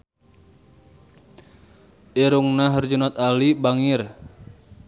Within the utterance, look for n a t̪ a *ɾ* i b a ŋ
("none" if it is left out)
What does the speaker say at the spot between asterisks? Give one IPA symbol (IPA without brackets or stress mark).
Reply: l